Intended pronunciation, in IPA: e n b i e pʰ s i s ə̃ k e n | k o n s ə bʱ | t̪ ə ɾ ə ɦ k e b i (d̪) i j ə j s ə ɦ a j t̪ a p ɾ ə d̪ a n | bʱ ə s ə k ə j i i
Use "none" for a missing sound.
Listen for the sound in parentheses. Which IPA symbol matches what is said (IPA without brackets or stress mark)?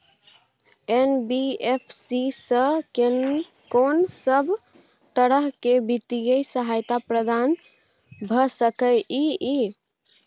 t̪